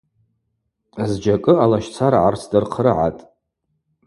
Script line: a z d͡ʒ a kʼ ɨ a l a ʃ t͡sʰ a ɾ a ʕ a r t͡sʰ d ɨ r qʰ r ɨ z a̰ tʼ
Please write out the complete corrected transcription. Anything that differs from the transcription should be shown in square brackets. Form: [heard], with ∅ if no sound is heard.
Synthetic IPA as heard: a z d͡ʒ a kʼ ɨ a l a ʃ t͡sʰ a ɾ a ʕ a r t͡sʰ d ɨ r qʰ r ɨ [ʕ] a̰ tʼ